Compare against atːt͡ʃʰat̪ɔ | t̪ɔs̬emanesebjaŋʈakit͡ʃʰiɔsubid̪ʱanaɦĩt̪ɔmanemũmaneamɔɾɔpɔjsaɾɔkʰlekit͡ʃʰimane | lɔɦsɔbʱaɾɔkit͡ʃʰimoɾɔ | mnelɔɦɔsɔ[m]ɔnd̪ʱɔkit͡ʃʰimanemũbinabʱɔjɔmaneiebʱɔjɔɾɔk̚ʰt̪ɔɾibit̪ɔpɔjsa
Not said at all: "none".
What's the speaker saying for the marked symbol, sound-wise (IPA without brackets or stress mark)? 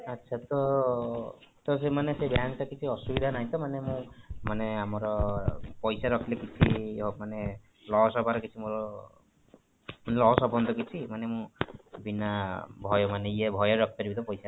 b